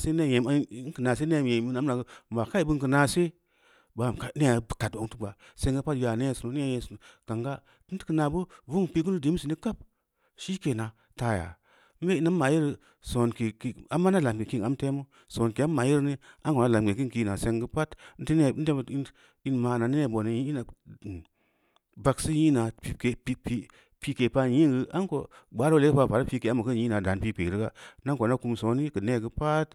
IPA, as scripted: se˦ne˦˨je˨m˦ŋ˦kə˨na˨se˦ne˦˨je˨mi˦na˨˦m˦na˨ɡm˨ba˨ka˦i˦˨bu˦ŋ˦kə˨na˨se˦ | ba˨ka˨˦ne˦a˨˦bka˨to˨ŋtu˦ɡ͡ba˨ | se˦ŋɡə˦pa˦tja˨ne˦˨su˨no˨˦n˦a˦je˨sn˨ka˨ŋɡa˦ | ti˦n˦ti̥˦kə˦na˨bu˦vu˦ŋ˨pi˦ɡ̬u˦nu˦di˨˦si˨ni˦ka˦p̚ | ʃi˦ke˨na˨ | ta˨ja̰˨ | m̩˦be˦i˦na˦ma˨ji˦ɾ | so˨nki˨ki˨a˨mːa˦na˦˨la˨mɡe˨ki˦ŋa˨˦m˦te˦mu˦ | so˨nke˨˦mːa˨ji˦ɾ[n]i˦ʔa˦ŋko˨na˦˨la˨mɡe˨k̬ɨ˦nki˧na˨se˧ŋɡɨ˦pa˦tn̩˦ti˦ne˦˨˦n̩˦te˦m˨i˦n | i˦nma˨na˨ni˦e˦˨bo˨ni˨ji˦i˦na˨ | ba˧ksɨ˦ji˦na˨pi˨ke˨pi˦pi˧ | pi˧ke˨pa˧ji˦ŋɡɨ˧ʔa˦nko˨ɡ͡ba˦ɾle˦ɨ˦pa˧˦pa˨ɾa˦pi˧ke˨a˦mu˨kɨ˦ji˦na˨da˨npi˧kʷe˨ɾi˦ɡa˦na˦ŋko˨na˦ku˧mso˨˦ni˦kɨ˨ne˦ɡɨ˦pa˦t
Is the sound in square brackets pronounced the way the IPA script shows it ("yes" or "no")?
yes